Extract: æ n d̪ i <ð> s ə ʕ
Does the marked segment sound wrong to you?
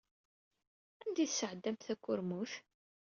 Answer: yes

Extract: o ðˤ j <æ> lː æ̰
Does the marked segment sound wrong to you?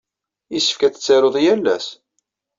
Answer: no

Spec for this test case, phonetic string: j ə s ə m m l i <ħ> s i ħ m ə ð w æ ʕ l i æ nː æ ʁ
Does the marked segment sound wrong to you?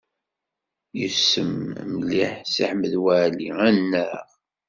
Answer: no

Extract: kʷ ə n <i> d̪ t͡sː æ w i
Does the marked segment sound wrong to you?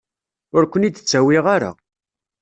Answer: no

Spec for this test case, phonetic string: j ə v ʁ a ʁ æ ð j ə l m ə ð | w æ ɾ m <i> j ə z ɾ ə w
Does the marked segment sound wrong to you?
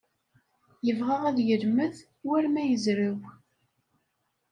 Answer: yes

